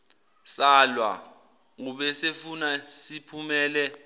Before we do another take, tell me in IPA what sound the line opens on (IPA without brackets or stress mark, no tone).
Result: s